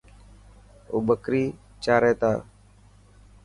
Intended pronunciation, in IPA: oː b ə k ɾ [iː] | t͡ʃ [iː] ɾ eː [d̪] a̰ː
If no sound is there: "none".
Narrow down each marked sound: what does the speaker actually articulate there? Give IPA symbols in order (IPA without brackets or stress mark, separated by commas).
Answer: iː, aː, t̪